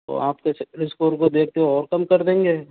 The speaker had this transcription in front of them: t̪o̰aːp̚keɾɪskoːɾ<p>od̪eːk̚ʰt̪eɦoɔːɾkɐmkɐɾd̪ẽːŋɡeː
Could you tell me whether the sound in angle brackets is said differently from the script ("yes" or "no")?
yes